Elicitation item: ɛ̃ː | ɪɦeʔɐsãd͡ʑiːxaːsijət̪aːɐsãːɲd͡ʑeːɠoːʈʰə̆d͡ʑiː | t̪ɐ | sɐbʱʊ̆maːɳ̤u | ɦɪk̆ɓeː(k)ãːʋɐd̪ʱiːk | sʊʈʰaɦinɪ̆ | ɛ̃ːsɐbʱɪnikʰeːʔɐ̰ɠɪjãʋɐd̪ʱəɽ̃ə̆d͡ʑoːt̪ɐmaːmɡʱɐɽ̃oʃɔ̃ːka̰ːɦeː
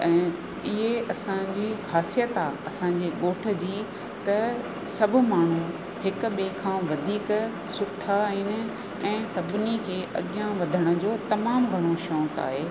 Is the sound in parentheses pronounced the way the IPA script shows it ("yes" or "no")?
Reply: no